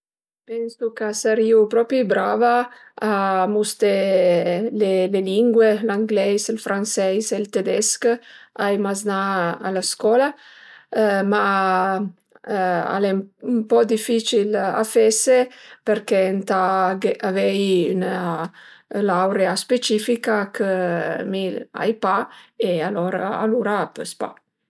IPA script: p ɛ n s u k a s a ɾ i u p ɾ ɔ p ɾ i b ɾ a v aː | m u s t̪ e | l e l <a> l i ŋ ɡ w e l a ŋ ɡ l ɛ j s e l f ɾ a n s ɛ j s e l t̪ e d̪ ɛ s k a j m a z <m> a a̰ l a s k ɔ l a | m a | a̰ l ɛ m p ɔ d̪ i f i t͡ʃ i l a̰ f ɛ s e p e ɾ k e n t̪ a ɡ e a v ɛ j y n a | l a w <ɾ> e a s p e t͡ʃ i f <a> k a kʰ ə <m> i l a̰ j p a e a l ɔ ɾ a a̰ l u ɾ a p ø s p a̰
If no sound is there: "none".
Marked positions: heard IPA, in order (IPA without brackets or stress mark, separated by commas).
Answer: e, n, ɾ, i, m